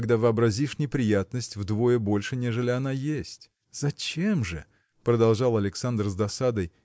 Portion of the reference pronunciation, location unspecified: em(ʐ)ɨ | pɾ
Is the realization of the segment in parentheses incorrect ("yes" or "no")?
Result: no